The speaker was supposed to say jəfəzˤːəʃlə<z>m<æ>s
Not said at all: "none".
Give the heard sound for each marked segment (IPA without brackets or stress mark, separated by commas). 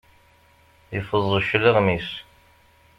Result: ʁ, i